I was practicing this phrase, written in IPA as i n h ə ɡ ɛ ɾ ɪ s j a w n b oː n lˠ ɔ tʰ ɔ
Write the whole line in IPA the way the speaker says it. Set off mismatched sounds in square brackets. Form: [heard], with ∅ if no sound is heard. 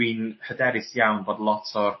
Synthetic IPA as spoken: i n h ə [d] ɛ ɾ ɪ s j a w n b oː [d] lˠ ɔ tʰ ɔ